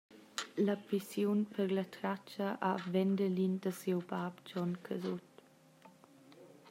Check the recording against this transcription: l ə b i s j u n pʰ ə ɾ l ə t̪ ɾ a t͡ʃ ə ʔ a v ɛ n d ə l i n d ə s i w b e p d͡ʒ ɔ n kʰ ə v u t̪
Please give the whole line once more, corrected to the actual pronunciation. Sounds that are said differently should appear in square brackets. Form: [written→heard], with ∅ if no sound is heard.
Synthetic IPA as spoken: l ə [b→p] i s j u n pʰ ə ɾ l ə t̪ ɾ a t͡ʃ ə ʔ a v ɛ n d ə l i n d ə s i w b [e→a] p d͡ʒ ɔ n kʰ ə [v→z] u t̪